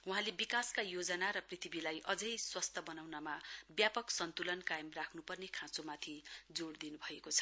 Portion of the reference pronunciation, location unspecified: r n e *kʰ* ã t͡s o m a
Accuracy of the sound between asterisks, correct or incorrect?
correct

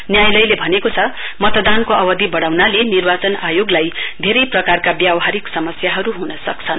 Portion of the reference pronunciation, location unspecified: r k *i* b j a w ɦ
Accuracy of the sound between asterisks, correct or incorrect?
incorrect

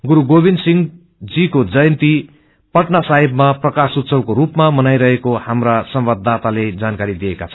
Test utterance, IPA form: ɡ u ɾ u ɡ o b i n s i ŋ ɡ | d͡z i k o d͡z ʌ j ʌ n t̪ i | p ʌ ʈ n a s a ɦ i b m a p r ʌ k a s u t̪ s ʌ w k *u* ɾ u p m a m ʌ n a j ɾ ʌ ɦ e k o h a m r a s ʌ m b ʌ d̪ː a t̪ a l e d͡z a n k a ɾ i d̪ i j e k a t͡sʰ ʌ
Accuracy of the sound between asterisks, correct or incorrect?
incorrect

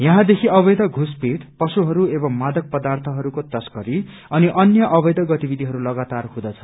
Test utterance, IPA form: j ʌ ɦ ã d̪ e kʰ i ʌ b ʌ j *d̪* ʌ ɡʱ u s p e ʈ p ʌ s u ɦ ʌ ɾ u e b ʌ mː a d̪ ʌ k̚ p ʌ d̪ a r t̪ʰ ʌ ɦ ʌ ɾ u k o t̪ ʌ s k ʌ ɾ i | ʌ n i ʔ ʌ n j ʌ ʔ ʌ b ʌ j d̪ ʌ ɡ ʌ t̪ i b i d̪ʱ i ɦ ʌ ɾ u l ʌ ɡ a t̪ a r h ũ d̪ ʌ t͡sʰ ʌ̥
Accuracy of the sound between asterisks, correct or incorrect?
correct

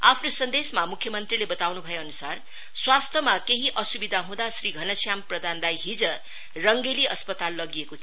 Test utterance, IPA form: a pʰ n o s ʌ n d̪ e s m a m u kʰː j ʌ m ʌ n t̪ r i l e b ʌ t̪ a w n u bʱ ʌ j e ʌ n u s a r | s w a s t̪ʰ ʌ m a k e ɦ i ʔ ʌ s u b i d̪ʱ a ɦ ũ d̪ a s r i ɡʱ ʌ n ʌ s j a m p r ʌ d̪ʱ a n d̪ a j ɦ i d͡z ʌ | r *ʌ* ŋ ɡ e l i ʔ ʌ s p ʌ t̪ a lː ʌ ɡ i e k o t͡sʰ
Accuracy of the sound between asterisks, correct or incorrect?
correct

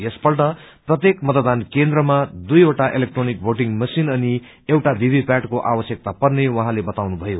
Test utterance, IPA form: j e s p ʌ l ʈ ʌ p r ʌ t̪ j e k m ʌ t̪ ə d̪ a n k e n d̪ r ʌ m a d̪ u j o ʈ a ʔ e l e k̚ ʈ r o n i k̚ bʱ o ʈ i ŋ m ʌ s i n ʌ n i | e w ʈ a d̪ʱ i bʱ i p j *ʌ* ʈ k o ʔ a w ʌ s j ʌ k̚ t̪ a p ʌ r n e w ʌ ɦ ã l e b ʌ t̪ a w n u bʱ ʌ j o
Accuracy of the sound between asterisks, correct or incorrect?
incorrect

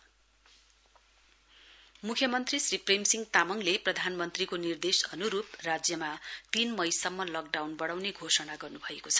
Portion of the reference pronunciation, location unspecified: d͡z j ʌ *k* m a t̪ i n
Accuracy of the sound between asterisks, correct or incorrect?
incorrect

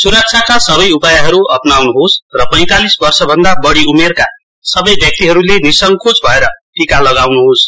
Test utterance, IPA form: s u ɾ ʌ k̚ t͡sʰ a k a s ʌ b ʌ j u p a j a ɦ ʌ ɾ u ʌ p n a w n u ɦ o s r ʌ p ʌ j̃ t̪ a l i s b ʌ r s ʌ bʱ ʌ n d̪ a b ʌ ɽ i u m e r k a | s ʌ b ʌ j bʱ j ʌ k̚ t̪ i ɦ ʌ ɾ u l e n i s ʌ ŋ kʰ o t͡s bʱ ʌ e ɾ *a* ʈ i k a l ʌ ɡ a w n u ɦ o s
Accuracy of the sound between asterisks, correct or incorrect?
incorrect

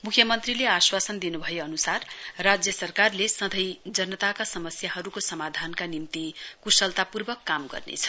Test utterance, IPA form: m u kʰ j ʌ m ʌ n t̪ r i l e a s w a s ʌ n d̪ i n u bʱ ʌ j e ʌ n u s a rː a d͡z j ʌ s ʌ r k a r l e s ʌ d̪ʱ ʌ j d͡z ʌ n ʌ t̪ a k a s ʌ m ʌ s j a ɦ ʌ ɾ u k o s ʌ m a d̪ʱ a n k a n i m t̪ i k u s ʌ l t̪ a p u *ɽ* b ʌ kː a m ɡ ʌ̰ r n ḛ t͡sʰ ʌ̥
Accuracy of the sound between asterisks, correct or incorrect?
incorrect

